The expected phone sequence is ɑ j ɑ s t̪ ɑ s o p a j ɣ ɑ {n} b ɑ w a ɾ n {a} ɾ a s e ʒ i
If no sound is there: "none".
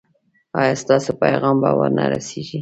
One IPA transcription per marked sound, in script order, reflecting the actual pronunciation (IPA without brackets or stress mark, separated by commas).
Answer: m, a